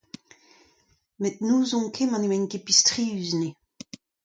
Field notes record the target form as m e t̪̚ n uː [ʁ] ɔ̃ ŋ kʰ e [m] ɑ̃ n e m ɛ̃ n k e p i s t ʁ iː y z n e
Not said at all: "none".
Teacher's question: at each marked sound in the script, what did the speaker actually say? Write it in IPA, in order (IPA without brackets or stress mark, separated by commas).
z, m